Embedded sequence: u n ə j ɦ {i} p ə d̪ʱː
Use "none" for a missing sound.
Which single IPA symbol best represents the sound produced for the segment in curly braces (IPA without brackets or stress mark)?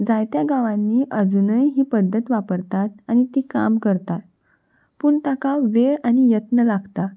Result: iː